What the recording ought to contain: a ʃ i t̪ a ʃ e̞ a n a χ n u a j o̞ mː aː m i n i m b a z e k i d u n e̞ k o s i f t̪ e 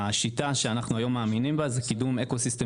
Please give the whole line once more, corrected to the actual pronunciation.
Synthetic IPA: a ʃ i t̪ a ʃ e̞ a n a χ n u a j o̞ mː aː m i n i m b a z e k i d u m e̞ k o s i s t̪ e